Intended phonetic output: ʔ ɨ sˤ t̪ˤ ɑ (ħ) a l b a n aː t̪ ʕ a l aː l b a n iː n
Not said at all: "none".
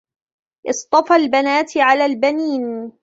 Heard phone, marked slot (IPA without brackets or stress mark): f